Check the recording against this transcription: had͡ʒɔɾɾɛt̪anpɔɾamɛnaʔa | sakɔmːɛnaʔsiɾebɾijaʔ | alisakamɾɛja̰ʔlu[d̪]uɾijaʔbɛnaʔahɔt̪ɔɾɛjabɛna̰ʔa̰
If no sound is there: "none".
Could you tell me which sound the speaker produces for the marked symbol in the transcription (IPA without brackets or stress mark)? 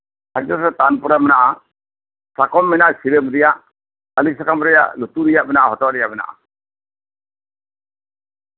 t̪